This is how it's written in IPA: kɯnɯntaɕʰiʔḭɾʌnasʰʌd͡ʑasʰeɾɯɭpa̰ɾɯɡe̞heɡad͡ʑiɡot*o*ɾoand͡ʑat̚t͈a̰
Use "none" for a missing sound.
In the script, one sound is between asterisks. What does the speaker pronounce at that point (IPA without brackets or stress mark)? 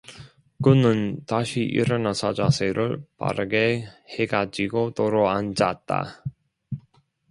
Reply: o